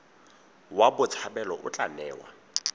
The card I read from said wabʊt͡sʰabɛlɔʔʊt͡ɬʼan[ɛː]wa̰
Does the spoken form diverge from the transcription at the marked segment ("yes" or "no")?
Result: no